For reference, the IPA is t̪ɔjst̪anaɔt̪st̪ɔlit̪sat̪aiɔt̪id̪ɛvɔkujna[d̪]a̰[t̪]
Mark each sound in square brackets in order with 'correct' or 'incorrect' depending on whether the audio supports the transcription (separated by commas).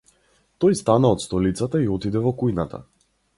incorrect, incorrect